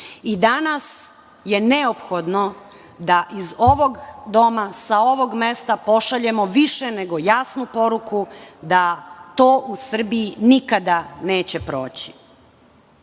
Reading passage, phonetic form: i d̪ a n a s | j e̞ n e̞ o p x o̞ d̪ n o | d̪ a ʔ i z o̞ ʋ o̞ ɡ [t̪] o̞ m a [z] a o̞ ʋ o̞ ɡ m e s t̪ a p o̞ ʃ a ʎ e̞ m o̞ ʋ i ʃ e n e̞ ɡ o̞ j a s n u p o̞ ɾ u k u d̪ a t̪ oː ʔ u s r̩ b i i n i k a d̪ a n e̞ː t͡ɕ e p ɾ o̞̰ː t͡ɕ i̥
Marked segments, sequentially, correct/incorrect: incorrect: d̪, incorrect: s

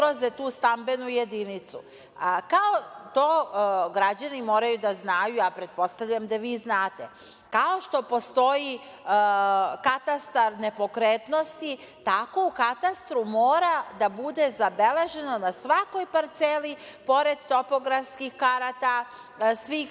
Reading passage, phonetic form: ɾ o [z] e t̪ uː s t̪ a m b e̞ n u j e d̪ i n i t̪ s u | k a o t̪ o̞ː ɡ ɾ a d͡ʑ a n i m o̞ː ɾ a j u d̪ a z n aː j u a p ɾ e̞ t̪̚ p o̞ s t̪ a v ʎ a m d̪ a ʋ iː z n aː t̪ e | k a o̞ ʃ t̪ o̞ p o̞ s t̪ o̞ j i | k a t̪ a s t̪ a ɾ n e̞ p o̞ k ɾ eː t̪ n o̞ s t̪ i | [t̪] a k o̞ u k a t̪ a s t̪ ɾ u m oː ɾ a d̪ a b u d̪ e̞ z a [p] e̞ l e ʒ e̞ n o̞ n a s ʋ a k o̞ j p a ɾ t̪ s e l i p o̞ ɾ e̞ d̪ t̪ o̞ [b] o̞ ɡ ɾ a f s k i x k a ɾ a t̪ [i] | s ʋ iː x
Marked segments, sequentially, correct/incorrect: correct, correct, incorrect: b, incorrect: p, incorrect: a

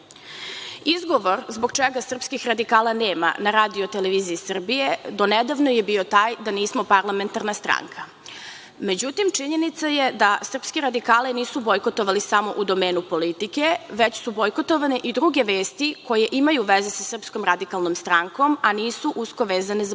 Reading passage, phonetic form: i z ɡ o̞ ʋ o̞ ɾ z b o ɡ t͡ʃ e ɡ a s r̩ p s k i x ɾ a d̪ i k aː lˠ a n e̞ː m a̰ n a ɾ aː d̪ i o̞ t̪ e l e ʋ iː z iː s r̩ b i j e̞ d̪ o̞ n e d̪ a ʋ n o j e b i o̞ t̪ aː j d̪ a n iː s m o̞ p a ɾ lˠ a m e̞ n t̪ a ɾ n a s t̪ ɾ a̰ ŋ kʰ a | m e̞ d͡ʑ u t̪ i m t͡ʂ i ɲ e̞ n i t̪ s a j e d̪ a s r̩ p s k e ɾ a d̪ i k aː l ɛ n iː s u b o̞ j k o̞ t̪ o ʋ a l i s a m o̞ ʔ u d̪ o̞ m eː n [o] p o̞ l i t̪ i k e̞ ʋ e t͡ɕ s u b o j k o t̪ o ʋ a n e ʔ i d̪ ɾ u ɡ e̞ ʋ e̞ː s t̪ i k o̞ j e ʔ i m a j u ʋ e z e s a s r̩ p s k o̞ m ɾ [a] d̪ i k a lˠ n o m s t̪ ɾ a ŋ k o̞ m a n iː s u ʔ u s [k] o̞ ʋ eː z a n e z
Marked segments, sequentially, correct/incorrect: incorrect: u, correct, correct

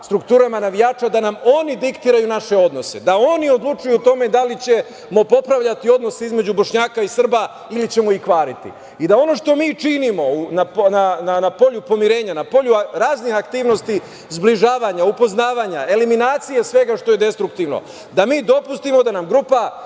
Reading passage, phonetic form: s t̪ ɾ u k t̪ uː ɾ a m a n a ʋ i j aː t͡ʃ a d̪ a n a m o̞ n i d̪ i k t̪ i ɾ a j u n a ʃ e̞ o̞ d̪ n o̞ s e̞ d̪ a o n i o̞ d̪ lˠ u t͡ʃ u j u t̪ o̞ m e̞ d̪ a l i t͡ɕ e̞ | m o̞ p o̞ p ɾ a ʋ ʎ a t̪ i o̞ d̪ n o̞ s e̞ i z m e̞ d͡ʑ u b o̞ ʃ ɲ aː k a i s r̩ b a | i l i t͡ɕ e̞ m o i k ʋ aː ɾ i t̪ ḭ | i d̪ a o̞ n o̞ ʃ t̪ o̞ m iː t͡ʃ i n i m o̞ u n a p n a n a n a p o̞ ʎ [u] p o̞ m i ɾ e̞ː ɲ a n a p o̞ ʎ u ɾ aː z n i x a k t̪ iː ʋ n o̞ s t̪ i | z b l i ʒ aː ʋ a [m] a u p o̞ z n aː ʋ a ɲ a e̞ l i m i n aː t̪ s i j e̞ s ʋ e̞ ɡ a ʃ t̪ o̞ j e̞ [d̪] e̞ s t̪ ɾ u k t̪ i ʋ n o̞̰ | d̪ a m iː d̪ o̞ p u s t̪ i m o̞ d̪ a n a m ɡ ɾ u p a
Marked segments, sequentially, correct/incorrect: correct, incorrect: ɲ, correct

